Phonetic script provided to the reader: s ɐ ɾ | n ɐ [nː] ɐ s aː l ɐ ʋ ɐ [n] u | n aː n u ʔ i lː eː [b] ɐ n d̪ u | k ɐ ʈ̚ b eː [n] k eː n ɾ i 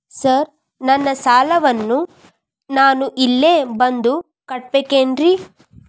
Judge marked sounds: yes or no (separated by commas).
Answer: yes, no, yes, no